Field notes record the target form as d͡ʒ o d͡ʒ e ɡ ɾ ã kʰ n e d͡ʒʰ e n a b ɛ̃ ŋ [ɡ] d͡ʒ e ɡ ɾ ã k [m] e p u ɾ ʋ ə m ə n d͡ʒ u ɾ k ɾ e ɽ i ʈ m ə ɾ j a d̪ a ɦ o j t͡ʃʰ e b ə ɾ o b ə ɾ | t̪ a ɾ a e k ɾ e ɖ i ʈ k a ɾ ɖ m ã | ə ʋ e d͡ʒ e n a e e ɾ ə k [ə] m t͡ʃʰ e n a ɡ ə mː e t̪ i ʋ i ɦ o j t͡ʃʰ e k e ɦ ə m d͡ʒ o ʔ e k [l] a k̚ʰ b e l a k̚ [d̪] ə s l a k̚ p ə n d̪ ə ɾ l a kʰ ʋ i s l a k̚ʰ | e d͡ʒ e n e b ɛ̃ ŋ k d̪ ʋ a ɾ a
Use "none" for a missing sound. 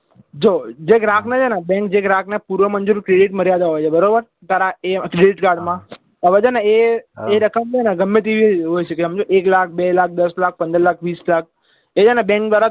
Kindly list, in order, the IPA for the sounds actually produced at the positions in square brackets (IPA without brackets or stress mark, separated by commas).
k, n, ə, l, d̪